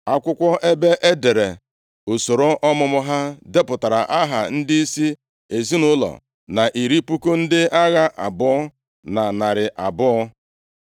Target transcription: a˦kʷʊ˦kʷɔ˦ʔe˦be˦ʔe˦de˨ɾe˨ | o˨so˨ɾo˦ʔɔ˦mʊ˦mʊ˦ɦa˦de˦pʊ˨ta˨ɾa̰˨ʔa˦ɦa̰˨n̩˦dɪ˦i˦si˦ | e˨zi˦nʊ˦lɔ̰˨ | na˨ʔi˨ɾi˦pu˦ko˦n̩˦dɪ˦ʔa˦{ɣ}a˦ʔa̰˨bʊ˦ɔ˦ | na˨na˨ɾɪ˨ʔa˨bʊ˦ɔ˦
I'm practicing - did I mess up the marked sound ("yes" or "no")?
no